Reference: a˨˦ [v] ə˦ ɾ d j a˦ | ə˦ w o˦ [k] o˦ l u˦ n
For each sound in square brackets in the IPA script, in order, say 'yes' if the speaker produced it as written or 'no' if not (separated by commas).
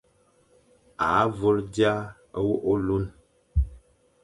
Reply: yes, no